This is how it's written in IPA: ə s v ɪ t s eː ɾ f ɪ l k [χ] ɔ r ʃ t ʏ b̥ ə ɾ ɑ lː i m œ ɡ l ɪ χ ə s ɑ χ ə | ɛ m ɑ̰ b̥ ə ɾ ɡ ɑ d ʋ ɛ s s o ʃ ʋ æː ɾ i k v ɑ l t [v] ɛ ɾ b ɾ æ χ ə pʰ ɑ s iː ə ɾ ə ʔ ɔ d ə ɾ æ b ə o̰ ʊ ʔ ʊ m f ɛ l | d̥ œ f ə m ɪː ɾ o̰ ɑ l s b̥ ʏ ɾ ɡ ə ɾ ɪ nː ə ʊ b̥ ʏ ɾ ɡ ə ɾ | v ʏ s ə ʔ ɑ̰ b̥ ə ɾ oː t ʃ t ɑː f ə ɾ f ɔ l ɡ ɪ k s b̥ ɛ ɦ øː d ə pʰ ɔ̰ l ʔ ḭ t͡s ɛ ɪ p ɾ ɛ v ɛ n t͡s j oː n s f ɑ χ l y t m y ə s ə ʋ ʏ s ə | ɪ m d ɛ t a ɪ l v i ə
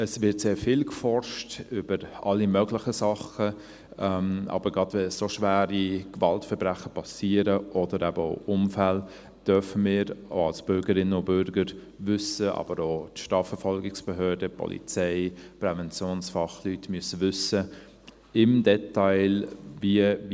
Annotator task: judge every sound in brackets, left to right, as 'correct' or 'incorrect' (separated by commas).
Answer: incorrect, incorrect